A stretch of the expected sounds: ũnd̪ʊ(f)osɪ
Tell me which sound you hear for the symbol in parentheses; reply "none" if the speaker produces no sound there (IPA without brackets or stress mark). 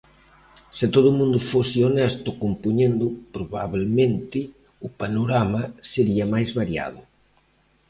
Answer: f